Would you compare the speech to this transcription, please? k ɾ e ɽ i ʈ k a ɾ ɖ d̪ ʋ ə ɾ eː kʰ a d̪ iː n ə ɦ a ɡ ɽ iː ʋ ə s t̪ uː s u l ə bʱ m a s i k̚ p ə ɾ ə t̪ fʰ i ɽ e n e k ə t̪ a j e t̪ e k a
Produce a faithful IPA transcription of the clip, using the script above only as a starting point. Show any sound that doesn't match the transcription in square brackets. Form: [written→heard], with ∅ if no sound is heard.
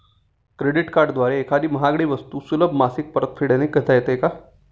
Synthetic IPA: k ɾ e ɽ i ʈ k a ɾ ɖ d̪ ʋ [ə→a] ɾ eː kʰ a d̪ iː [n→m] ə ɦ a ɡ ɽ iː ʋ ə s t̪ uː s u l ə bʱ m a s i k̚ p ə ɾ ə t̪ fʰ i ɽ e n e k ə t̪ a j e t̪ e k a